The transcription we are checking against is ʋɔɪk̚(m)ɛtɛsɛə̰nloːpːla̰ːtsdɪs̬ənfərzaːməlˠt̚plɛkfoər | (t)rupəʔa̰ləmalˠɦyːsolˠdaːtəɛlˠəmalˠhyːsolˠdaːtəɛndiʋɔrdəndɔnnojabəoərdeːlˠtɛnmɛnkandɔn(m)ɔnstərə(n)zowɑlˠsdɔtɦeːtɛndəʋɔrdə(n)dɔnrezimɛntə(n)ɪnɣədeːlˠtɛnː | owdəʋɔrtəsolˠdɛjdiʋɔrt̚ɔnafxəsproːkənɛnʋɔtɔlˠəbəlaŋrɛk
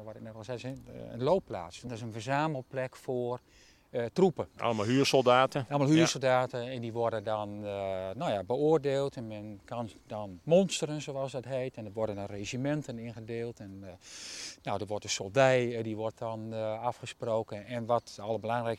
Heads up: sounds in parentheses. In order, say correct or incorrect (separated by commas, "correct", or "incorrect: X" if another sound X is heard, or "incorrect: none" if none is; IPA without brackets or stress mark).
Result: incorrect: n, correct, correct, correct, correct, correct